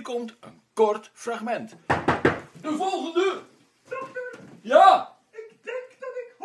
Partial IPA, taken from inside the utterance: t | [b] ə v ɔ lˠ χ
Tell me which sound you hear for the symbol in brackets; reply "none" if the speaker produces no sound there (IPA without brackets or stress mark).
d